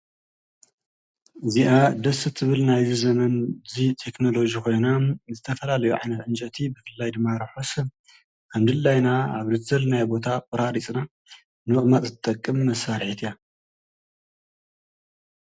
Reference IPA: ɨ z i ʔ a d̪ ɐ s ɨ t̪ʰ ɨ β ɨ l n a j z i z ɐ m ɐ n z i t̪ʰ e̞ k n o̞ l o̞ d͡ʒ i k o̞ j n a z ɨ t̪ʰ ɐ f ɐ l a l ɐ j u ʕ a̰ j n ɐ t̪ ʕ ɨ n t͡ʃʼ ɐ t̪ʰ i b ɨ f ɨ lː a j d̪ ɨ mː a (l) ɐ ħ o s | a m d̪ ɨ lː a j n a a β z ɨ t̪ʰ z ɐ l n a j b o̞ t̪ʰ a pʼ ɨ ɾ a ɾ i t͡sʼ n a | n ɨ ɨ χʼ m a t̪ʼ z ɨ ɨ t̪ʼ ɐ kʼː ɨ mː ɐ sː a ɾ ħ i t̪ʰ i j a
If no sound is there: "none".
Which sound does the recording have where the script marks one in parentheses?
ɾ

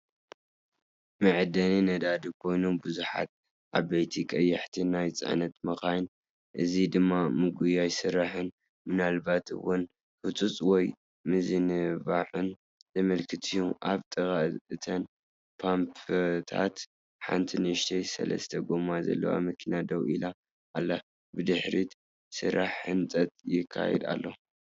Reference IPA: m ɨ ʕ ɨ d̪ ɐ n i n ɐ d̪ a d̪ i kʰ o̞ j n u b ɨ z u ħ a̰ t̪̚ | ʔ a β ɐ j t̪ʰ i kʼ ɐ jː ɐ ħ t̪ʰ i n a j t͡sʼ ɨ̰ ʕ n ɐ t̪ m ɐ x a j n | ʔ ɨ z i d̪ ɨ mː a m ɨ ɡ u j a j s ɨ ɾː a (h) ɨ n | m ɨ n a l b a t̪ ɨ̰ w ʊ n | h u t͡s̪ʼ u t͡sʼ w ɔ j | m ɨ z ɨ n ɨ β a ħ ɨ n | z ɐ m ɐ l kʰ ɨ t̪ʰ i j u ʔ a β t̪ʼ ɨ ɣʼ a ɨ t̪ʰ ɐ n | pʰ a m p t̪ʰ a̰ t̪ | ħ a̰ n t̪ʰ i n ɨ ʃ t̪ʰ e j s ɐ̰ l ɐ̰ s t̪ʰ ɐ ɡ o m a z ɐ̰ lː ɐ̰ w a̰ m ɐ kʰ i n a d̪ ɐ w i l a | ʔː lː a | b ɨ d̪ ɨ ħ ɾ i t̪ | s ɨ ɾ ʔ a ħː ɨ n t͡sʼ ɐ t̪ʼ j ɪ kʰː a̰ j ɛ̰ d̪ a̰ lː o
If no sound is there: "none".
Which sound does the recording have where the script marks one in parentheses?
ħ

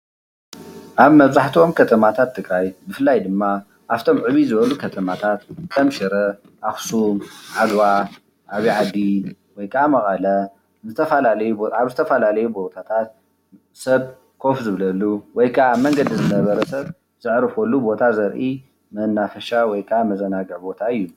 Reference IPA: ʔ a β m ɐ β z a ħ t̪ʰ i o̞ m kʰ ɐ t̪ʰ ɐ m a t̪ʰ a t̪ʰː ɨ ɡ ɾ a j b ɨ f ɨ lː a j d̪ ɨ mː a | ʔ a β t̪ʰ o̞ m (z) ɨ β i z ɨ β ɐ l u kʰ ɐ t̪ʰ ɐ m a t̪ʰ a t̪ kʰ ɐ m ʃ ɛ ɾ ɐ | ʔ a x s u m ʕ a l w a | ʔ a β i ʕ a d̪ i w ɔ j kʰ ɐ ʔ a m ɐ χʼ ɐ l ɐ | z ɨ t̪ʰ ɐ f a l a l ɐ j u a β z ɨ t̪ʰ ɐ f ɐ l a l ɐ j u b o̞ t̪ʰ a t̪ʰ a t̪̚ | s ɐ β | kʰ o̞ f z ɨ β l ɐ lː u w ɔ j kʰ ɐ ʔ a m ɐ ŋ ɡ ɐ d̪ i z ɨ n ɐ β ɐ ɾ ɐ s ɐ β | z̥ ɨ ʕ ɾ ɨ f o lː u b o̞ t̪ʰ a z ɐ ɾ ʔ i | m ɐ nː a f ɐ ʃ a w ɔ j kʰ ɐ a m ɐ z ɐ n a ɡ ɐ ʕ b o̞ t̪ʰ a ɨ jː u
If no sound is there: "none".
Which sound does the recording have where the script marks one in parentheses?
ʕ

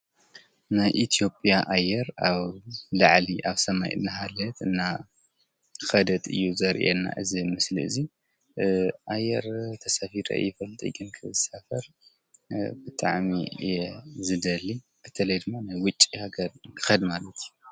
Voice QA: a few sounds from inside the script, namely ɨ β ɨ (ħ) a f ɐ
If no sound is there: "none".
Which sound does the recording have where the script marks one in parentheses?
s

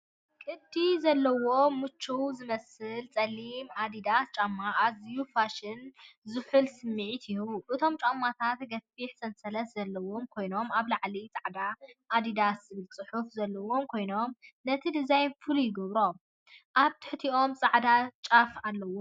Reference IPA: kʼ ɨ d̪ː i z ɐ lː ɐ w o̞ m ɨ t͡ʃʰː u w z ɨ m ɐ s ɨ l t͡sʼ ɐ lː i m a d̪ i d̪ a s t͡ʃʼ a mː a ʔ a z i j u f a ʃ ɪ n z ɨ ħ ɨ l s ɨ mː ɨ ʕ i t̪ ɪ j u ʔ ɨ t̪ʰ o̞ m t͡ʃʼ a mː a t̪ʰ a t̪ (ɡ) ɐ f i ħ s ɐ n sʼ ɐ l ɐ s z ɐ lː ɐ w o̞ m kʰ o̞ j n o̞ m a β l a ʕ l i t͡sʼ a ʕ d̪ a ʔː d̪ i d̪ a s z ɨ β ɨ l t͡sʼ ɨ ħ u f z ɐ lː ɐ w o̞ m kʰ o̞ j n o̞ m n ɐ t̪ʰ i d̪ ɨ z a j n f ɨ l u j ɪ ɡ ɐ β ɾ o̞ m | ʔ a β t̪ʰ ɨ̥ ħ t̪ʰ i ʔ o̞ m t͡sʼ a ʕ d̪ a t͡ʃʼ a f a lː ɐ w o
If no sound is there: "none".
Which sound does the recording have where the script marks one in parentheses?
ɡ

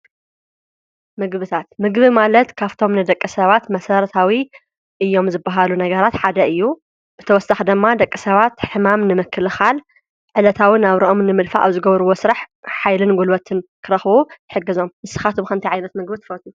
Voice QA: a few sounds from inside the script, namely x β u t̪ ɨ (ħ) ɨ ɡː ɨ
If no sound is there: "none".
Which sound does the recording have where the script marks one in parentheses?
ħ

